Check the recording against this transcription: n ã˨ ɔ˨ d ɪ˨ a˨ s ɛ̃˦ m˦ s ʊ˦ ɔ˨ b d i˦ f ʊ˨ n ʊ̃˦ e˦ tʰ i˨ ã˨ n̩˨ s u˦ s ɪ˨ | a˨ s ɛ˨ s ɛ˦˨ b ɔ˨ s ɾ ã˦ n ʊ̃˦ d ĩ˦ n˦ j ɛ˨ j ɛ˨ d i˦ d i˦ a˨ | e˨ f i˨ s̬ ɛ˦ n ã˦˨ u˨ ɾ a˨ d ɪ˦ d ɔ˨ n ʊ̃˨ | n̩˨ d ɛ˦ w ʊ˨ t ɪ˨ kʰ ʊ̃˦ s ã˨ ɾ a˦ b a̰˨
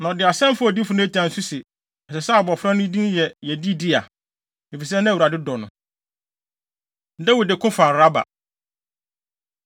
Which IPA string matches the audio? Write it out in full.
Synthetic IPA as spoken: n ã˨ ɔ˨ d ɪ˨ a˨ s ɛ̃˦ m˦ f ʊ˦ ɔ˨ d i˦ f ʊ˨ n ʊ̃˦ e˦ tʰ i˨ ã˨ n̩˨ s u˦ s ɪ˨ | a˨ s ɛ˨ s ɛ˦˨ b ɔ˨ f ɾ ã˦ n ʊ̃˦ d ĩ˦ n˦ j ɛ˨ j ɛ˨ d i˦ d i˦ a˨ | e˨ f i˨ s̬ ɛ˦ n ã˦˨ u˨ ɾ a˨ d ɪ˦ d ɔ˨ n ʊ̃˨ | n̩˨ d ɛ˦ w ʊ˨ d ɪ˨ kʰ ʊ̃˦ f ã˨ ɾ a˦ b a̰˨

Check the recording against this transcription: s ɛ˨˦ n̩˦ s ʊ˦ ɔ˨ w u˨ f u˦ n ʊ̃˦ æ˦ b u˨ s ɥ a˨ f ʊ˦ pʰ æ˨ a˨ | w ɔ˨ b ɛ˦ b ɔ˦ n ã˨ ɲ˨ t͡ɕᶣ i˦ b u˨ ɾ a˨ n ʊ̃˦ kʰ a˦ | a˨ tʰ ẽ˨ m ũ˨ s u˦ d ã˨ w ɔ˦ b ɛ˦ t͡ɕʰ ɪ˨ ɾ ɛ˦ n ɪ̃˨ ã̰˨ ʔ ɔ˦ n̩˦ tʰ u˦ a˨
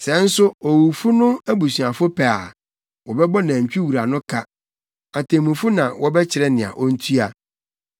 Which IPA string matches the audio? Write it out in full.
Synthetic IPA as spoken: s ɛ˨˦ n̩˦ s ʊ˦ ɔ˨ w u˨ f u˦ n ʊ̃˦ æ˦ b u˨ s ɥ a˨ f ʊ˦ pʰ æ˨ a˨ | w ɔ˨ b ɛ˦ b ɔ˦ n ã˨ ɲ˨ t͡ɕᶣ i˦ w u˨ ɾ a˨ n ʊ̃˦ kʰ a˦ | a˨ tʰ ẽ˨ m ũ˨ f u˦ n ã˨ w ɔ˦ b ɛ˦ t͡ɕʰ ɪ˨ ɾ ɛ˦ n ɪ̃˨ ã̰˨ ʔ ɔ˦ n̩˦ tʰ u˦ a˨

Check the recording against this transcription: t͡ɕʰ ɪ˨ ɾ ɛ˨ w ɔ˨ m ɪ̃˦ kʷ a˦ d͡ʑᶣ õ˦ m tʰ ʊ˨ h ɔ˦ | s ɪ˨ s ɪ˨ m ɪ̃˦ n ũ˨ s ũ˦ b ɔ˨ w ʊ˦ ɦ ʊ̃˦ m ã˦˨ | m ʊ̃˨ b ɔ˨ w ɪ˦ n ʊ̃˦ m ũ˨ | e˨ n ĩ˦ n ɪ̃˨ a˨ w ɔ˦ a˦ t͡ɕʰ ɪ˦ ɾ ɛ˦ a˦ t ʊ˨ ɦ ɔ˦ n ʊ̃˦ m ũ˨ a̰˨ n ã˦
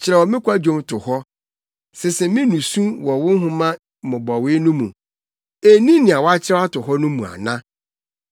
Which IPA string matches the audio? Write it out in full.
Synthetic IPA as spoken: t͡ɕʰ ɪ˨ ɾ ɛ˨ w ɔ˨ m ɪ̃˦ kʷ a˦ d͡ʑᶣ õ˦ m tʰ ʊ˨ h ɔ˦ | s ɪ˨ s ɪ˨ m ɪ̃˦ n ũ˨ s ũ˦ w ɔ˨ w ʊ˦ ɦ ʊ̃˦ m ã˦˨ | m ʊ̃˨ b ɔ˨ w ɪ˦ n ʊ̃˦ m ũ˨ | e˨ n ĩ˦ n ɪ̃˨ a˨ w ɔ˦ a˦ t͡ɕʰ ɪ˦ ɾ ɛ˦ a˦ t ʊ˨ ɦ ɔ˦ n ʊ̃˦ m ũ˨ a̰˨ n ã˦

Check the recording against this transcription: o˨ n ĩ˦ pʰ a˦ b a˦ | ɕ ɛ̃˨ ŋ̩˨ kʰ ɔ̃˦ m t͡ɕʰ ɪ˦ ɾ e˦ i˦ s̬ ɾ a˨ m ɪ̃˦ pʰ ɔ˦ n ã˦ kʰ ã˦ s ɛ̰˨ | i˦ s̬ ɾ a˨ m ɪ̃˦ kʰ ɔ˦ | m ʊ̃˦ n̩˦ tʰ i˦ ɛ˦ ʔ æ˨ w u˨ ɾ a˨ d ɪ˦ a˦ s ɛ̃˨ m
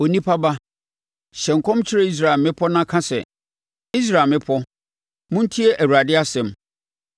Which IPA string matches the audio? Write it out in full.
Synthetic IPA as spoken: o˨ n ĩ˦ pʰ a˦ b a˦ | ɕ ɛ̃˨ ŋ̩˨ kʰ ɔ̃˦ m t͡ɕʰ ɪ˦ ɾ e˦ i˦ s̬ ɾ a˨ m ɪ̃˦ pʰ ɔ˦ n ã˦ kʰ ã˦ s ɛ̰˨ | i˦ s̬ ɾ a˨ m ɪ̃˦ pʰ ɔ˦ | m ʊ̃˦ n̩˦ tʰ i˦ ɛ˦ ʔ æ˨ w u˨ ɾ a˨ d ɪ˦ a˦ s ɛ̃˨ m

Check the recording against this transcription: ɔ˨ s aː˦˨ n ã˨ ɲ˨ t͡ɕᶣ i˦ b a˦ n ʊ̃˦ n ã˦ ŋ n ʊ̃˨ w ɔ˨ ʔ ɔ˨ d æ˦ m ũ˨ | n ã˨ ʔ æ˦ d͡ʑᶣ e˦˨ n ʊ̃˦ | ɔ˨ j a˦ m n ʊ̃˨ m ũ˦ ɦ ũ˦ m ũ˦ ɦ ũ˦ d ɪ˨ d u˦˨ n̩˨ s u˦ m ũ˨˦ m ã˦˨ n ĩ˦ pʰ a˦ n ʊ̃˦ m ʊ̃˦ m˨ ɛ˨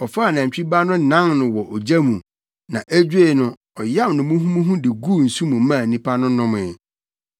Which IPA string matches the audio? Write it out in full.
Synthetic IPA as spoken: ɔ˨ f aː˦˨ n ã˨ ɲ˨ t͡ɕᶣ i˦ b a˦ n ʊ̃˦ n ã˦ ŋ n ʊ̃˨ w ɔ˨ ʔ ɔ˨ d͡ʑ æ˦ m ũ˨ | n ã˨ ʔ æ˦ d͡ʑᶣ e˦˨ n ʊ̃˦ | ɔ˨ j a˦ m n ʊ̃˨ m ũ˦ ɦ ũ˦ m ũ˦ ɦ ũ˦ d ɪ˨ ɡ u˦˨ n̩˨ s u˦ m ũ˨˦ m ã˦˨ n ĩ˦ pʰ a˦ n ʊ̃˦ n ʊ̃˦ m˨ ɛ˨

